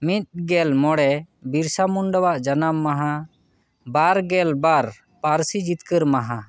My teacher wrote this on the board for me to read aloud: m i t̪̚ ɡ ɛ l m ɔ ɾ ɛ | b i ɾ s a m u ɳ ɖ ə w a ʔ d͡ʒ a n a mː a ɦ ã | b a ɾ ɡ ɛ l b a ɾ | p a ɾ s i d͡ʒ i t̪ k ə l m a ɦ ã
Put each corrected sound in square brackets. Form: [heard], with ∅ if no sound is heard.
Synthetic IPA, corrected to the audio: m i t̪̚ ɡ ɛ l m ɔ [ɽ] ɛ | b i ɾ s a m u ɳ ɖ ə w a ʔ d͡ʒ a n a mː a ɦ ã | b a ɾ ɡ ɛ l b a ɾ | p a ɾ s i d͡ʒ i t̪ k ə [ɾ] m a ɦ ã